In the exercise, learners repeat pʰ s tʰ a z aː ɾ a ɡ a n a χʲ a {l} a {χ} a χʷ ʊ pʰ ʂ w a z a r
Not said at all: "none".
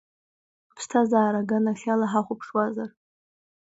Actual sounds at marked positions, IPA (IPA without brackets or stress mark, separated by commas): l, ħ